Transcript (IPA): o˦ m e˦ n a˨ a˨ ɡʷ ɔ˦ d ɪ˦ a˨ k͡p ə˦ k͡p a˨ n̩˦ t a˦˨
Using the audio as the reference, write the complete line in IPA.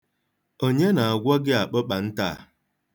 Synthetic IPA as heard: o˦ ɲ e˦ n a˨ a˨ ɡʷ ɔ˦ ɡ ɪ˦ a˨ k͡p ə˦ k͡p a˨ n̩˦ t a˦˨